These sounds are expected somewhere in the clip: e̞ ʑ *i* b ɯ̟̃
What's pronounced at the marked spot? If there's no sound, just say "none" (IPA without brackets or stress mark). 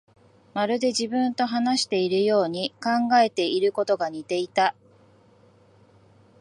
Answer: i